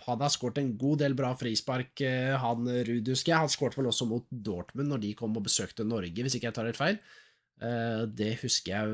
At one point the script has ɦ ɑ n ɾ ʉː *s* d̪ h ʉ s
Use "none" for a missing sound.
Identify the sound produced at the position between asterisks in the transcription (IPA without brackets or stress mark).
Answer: none